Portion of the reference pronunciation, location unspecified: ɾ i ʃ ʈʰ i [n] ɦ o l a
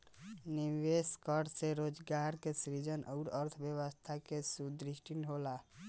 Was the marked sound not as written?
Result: no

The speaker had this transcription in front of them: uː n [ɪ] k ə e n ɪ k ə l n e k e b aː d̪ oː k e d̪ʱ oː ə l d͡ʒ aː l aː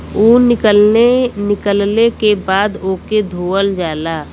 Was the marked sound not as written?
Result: no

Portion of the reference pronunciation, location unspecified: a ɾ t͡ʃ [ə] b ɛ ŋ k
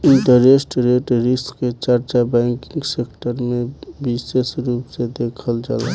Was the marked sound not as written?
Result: yes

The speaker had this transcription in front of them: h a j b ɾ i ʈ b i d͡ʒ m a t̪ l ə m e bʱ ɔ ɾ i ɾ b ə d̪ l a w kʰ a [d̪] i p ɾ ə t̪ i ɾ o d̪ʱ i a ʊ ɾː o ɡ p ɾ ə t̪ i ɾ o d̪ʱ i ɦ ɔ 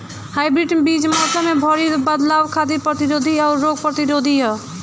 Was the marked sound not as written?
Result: no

